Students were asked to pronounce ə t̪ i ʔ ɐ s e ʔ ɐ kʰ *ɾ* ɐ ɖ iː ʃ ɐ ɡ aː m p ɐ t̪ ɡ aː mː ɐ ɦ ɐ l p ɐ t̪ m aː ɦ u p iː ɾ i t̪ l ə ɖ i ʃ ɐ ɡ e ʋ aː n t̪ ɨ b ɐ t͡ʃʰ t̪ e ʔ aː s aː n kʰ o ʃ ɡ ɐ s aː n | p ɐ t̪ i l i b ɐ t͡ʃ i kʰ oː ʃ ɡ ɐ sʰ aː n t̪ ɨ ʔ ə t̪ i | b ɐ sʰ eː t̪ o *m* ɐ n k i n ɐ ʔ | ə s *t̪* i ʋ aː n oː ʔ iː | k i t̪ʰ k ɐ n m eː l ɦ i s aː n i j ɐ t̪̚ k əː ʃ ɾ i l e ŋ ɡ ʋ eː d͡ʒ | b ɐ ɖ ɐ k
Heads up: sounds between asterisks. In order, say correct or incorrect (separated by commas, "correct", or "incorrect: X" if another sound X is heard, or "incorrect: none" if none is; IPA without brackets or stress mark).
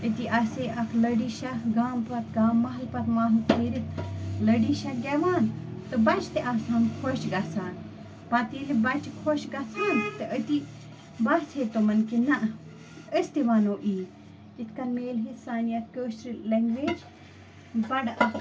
incorrect: l, correct, correct